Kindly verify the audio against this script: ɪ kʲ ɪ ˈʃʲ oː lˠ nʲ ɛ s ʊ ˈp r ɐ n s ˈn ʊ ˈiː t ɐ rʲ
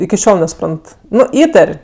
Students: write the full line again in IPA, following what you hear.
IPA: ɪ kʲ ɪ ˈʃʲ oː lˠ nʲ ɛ s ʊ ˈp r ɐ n t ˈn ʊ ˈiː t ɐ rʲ